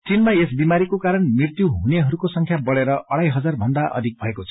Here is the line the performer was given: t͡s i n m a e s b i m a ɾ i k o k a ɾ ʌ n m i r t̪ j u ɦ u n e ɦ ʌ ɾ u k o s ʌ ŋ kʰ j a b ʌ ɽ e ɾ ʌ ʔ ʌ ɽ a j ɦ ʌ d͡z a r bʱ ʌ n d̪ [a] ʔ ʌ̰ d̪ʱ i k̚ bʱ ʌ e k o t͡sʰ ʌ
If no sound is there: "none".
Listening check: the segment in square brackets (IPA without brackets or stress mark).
a